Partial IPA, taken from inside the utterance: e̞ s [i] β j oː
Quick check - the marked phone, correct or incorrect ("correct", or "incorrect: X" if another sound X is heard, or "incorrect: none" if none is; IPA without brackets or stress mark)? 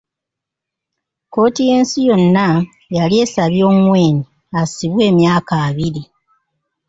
incorrect: a